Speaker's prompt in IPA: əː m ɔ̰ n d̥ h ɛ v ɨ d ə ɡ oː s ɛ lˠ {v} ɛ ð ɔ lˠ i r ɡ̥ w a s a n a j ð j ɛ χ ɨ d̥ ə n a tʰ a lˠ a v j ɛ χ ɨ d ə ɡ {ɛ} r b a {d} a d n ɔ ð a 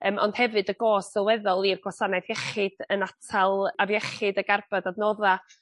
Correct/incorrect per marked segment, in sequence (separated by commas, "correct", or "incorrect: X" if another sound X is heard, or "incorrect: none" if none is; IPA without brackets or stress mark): incorrect: w, incorrect: a, correct